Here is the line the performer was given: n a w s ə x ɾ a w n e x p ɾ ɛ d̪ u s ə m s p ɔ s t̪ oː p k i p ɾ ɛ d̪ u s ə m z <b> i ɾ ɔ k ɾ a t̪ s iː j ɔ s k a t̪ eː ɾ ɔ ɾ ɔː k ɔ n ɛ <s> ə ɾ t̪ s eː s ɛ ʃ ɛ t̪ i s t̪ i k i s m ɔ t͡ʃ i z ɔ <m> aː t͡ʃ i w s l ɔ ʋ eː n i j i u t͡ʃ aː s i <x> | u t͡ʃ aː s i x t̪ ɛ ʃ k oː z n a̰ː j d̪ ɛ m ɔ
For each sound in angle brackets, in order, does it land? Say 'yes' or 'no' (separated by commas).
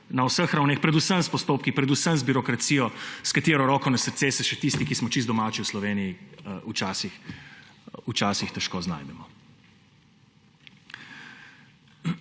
yes, yes, yes, yes